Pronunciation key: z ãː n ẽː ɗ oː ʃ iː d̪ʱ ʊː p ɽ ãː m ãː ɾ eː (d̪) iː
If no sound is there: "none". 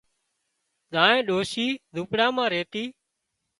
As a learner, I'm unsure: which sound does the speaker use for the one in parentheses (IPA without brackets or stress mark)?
t̪